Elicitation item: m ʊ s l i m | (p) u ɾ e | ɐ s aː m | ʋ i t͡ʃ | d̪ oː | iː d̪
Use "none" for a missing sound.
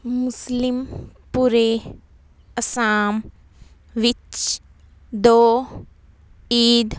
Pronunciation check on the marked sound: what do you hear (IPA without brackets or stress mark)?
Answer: p